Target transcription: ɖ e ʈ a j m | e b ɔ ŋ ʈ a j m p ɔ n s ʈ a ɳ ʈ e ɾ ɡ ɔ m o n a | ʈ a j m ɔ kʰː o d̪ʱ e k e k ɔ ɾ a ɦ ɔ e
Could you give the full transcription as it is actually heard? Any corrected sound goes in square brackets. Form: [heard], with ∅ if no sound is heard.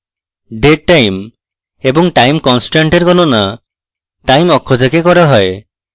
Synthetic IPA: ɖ e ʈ a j m | e b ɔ ŋ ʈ a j m [k] ɔ n s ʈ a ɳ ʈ e ɾ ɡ ɔ [n] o n a | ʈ a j m ɔ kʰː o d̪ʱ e k e k ɔ ɾ a ɦ ɔ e